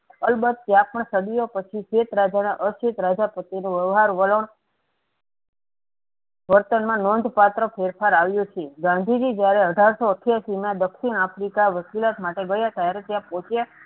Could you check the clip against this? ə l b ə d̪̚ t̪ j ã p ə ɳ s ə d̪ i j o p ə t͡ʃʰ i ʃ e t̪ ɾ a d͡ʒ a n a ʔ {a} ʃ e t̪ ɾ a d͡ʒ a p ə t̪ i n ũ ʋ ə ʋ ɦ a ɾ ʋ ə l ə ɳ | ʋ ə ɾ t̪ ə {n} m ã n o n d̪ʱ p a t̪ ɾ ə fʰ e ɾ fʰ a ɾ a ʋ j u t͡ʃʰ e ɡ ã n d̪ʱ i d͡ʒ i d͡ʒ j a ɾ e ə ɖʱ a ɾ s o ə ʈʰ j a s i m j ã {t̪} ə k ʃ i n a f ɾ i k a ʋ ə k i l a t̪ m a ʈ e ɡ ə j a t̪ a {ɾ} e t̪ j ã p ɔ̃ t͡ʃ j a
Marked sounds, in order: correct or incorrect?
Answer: incorrect, correct, incorrect, correct

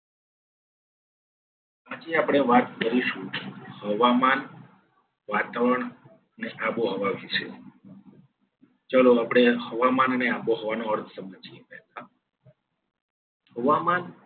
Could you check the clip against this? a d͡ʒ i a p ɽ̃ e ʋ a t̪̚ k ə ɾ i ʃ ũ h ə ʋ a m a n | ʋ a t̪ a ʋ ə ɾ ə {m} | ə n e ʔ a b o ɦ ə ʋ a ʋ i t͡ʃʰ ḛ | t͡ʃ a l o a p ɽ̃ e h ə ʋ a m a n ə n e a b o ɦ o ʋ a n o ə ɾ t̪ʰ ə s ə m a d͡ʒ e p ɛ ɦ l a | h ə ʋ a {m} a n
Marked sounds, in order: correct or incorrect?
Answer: incorrect, correct

